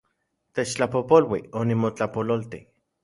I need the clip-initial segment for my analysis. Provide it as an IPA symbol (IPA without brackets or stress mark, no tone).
t̪